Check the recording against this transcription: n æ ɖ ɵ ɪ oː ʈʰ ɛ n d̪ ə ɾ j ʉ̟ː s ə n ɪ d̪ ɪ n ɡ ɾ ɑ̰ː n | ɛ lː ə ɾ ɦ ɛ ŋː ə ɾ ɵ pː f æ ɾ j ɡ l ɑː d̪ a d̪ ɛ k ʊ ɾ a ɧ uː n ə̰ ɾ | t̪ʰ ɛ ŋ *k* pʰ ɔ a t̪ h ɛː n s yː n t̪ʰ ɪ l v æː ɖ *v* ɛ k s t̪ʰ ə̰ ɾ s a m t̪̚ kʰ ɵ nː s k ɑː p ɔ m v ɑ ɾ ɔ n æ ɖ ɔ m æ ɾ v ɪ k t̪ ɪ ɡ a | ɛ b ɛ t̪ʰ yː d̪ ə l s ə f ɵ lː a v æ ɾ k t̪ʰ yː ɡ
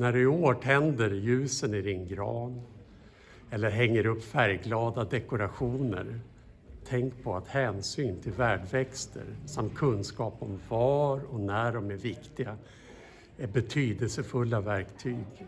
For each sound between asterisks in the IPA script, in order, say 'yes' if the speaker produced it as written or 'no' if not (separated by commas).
yes, yes